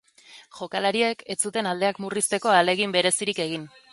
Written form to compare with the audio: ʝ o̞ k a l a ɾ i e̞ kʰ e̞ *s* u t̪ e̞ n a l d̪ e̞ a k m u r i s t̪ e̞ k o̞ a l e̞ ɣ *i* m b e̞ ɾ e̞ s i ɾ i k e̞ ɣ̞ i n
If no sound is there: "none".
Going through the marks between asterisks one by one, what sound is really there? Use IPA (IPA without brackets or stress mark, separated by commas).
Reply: t͡s, i